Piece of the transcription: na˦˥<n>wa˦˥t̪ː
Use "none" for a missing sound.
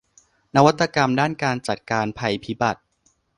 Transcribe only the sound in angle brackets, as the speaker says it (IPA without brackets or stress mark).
none